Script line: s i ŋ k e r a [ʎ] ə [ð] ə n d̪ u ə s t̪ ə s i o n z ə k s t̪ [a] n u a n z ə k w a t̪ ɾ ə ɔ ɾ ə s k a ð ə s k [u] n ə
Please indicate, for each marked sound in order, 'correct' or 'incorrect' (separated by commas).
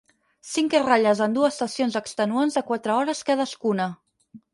correct, incorrect, incorrect, correct